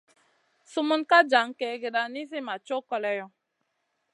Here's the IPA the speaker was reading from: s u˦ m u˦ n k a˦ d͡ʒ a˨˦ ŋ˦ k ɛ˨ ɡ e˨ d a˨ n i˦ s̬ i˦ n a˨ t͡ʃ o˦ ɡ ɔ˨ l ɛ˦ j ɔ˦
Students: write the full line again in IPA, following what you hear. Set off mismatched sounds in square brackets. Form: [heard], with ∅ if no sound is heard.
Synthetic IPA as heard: s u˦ m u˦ n k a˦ d͡ʒ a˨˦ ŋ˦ k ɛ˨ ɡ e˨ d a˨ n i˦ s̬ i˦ [m] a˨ t͡ʃ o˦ [k] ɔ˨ l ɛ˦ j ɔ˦